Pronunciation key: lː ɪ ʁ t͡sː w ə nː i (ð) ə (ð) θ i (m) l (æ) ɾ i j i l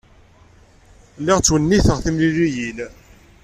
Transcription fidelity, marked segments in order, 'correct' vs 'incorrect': incorrect: θ, incorrect: ʁ, correct, incorrect: i

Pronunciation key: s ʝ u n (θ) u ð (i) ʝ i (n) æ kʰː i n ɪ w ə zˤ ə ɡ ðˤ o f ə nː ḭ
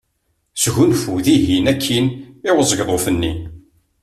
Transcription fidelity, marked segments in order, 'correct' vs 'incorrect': incorrect: f, correct, correct

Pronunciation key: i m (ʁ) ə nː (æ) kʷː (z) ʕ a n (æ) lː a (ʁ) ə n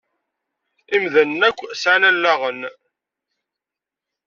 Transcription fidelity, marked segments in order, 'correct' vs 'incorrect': incorrect: ð, correct, incorrect: s, correct, correct

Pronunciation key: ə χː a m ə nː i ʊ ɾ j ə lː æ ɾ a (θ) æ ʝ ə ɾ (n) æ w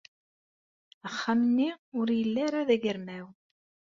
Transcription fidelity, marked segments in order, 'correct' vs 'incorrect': incorrect: ð, incorrect: m

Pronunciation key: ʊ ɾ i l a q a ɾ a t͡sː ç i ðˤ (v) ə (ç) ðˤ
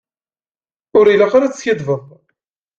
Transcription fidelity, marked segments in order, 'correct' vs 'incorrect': correct, incorrect: none

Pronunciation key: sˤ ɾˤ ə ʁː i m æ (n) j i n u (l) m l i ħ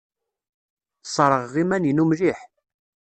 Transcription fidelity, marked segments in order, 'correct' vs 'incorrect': correct, incorrect: none

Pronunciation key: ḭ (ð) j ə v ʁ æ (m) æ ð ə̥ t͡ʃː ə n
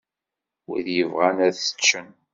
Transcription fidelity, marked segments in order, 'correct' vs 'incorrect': correct, incorrect: n

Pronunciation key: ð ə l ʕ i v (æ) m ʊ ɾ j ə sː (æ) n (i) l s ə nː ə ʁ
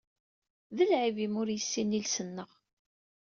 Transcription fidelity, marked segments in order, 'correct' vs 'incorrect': incorrect: i, incorrect: i, correct

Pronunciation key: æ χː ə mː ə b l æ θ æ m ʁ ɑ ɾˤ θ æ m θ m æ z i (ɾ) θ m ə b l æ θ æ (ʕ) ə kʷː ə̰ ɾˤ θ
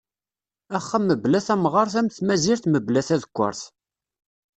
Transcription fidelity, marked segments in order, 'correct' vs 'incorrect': correct, incorrect: ð

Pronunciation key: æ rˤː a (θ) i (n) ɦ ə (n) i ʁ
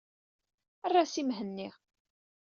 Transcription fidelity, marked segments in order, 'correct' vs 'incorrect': incorrect: s, incorrect: m, incorrect: nː

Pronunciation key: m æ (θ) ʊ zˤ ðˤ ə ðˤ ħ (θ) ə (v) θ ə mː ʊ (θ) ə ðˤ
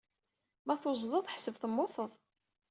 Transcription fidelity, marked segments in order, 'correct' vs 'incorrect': correct, incorrect: s, correct, correct

